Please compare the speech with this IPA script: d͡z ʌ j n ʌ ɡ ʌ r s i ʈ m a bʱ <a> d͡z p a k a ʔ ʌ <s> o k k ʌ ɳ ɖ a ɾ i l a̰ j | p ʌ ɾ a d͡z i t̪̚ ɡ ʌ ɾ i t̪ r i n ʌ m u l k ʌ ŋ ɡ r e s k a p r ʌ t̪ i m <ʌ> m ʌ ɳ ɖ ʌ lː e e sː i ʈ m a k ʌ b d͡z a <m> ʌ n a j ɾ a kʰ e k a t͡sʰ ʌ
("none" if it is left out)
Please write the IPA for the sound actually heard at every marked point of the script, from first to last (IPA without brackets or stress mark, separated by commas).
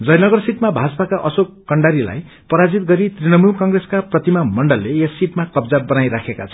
a, s, a, b